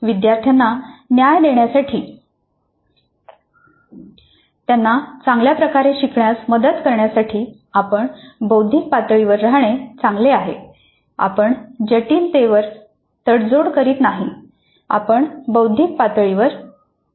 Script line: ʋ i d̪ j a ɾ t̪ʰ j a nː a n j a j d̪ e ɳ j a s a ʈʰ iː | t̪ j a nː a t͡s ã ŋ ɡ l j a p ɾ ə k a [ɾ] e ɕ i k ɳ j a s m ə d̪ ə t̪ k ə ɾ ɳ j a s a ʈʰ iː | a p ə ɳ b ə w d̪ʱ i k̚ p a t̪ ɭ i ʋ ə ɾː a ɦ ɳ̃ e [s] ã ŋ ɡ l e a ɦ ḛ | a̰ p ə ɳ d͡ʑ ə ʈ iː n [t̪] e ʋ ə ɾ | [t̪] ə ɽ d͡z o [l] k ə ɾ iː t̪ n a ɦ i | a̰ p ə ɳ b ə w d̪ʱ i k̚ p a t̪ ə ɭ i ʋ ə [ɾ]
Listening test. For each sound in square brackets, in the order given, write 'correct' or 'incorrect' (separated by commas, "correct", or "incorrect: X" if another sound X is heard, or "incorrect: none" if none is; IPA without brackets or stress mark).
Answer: correct, incorrect: t͡s, correct, correct, incorrect: ɽ, correct